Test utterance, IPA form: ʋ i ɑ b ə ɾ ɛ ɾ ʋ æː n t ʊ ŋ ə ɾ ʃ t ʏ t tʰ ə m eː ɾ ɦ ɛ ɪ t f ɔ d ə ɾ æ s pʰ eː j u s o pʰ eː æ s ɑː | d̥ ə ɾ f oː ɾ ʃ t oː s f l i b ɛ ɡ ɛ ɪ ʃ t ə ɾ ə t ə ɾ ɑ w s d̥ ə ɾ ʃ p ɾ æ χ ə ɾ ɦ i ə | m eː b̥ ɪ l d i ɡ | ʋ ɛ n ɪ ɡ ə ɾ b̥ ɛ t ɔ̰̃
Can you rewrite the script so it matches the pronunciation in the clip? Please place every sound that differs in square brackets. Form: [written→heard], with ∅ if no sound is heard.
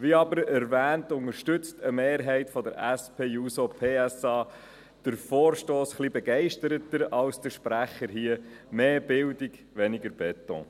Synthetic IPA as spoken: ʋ i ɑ b ə ɾ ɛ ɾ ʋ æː n t ʊ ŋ ə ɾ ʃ t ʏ [t→t͡s] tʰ ə m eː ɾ ɦ ɛ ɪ t f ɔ d ə ɾ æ s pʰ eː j u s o pʰ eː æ s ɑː | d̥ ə ɾ f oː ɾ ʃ t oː s [f→χ] l i b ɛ ɡ ɛ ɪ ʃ t ə ɾ ə t ə ɾ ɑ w s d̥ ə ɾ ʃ p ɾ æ χ ə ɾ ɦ i ə | m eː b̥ ɪ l d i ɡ | ʋ ɛ n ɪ ɡ ə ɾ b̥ ɛ t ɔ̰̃